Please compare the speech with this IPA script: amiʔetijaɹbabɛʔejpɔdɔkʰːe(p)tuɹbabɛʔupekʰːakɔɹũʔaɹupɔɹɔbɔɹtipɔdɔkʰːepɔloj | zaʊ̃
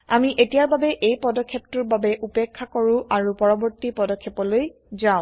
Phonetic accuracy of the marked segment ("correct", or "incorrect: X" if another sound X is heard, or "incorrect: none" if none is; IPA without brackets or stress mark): correct